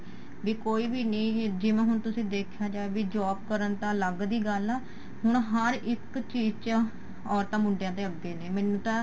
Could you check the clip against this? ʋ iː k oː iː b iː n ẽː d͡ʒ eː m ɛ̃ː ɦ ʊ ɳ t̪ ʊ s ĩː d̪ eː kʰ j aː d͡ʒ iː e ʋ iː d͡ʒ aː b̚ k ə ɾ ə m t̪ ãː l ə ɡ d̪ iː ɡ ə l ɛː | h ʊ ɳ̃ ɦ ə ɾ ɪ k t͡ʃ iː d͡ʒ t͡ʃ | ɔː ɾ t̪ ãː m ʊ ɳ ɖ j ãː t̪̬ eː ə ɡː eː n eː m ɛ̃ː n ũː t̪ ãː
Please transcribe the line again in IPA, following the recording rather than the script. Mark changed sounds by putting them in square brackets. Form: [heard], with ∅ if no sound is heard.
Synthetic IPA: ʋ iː k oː iː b iː n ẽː d͡ʒ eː m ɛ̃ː ɦ ʊ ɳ t̪ ʊ s ĩː d̪ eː kʰ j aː d͡ʒ [aː] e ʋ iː d͡ʒ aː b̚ k ə ɾ ə [n] t̪ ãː l ə ɡ d̪ iː ɡ ə l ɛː | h ʊ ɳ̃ ɦ ə ɾ ɪ k t͡ʃ iː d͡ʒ t͡ʃ | ɔː ɾ t̪ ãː m ʊ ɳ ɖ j ãː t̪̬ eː ə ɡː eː n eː m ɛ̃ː n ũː t̪ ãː